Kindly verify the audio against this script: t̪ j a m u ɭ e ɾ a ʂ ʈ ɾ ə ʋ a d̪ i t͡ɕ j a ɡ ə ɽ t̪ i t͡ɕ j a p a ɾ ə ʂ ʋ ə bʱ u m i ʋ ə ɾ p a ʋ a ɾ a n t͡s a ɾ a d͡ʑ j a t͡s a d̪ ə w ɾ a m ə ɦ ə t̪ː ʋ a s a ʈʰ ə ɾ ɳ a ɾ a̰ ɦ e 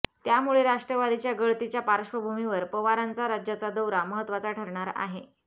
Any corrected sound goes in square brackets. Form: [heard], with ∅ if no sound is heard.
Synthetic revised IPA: t̪ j a m u ɭ e ɾ a ʂ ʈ ɾ ə ʋ a d̪ i t͡ɕ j a ɡ ə [ɭ] t̪ i t͡ɕ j a p a ɾ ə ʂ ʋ ə bʱ u m i ʋ ə ɾ p [ə] ʋ a ɾ a n t͡s a ɾ a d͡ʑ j a t͡s a d̪ ə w ɾ a m ə ɦ ə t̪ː ʋ a [t͡s] a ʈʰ ə ɾ ɳ a ɾ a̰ ɦ e